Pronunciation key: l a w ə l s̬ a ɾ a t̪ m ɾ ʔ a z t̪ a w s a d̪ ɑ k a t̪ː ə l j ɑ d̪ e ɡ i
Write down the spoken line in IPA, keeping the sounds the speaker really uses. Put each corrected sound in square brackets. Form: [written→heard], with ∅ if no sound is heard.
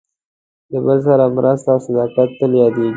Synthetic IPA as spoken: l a [w→b] ə l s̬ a ɾ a [t̪→∅] m ɾ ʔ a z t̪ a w s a d̪ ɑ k a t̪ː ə l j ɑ d̪ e ɡ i

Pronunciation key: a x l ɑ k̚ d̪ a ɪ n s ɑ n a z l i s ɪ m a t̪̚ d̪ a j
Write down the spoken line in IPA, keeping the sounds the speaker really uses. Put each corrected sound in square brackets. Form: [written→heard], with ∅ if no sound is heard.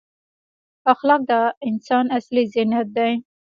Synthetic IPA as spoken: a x l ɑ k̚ d̪ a ɪ n s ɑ n a [z→s] l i [s→z] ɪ [m→n] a t̪̚ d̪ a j

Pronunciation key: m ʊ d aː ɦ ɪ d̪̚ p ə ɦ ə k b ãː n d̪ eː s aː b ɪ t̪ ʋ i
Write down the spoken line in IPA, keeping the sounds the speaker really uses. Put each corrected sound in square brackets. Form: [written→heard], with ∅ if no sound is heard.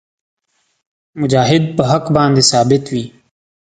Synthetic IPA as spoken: m ʊ [d→d͡ʒ] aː ɦ ɪ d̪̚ p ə ɦ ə k b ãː n d̪ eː s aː b ɪ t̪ ʋ [i→iː]

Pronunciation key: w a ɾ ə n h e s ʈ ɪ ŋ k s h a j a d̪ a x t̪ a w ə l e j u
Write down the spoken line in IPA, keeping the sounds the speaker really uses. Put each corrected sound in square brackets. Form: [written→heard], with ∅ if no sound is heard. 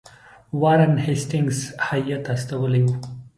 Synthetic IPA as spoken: w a ɾ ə n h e s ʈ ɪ ŋ [k→ɡ] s h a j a [d̪→t̪] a [x→s] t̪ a w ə l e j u

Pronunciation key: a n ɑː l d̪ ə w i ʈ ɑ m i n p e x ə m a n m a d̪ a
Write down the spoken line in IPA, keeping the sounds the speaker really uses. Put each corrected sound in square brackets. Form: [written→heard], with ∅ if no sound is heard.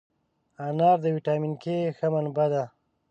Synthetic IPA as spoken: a n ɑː [l→ɾ] d̪ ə w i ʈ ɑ m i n [p→k] e x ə m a n [m→b] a d̪ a

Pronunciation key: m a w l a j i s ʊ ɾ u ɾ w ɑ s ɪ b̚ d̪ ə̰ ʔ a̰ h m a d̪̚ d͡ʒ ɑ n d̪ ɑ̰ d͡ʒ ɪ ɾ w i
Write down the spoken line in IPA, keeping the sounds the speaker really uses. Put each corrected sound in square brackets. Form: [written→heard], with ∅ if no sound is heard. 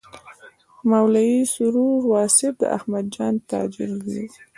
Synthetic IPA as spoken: m a w l a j i s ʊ ɾ u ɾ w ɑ s ɪ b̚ d̪ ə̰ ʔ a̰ h m a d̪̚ d͡ʒ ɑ n [d̪→t̪] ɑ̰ d͡ʒ ɪ ɾ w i

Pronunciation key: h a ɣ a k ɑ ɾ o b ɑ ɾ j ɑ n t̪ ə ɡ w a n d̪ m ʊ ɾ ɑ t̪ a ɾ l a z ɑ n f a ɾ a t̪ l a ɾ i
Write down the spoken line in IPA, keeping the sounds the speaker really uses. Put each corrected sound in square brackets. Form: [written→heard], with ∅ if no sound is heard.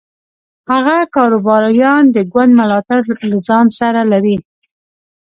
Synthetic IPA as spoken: h a ɣ a k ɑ ɾ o b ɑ ɾ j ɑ n [t̪→d̪] ə ɡ w a n d̪ m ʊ [ɾ→l] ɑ t̪ a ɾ l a z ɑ n [f→s] a ɾ a [t̪→∅] l a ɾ i

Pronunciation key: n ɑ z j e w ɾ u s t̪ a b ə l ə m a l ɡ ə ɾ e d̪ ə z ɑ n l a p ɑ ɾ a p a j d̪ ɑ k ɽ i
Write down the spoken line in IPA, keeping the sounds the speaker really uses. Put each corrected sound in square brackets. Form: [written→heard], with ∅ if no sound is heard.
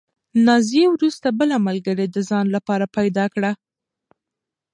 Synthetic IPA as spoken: n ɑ z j e w ɾ u s t̪ a b ə l [ə→a] m a l ɡ ə ɾ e d̪ ə z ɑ n l a p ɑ ɾ a p a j d̪ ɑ k ɽ [i→a]

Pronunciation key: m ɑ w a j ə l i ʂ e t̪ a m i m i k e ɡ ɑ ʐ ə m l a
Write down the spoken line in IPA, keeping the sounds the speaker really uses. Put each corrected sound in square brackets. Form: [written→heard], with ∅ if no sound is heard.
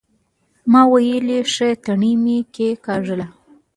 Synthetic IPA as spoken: m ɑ w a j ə l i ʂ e t̪ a [m→ɳ] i m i k e [ɡ→k] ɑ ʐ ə [m→∅] l a

